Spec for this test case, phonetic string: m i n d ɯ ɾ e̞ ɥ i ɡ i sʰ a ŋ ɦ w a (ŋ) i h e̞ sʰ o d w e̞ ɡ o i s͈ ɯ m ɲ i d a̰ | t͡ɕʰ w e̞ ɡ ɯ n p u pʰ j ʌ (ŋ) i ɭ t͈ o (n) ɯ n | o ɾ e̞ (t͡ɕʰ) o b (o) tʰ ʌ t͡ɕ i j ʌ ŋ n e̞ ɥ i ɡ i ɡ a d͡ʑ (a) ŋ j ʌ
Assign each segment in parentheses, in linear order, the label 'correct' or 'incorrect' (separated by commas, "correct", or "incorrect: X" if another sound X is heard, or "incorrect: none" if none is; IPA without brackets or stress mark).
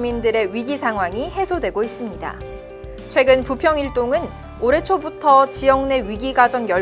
correct, correct, incorrect: ŋ, correct, incorrect: u, incorrect: ʌ